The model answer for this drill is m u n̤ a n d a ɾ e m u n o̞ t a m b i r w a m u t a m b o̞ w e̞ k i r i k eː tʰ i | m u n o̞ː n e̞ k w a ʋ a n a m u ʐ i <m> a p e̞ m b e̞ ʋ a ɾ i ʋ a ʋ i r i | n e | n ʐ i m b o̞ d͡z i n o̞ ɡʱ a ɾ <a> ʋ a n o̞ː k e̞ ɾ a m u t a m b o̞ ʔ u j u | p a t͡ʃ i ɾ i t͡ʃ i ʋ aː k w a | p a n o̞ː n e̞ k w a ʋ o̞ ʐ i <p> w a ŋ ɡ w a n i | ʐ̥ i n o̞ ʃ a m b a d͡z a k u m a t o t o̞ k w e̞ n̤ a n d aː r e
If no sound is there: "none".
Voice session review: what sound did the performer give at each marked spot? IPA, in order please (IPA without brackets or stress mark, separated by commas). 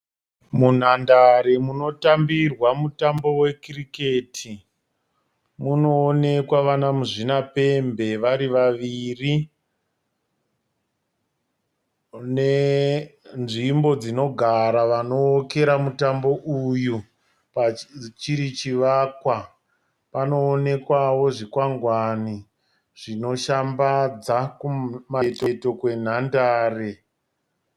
n, a, k